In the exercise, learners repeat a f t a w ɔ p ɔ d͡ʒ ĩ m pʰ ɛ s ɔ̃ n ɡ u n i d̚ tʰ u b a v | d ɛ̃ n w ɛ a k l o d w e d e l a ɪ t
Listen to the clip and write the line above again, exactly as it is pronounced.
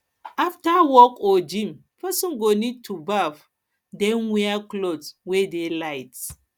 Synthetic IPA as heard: a f t a w ɔ k ɔ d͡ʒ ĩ m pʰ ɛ s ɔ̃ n ɡ o n i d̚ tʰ u b a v | d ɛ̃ n w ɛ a k l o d w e d e l a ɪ t